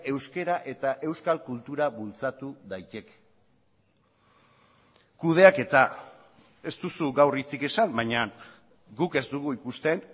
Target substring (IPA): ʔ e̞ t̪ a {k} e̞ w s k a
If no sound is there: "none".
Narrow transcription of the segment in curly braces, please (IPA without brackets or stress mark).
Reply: ʔ